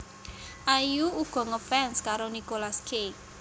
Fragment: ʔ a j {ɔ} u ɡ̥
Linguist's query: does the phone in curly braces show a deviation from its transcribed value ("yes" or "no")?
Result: yes